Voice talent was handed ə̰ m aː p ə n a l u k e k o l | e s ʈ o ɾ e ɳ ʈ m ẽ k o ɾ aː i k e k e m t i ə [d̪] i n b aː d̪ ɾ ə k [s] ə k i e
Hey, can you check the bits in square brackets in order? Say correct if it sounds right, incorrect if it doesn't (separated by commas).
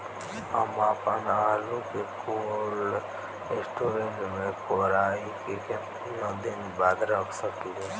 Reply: correct, correct